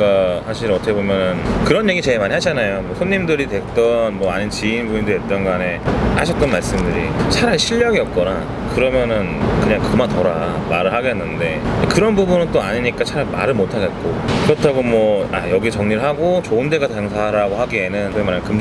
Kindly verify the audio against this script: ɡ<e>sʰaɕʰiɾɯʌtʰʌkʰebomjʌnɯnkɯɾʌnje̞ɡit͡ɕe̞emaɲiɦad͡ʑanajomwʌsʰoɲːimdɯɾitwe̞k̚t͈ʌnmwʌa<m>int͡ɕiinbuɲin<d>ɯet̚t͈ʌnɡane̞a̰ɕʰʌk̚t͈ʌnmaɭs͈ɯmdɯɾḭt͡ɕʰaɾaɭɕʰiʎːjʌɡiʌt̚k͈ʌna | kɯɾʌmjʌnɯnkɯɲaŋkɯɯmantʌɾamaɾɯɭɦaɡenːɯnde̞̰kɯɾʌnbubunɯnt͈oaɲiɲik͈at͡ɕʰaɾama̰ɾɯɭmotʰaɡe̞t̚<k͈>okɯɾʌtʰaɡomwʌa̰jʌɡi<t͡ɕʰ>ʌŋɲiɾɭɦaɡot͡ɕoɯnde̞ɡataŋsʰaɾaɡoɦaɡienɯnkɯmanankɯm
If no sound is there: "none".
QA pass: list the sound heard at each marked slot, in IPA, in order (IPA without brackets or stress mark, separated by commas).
a, ɲ, d, k͈, t͡ɕ